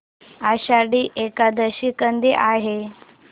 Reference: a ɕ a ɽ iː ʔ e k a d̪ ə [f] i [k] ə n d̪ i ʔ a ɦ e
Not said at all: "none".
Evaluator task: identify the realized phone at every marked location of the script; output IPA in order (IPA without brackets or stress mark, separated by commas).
ɕ, k